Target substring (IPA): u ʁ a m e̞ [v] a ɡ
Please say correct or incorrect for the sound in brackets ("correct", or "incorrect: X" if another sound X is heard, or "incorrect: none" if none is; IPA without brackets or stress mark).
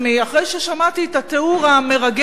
incorrect: ʁ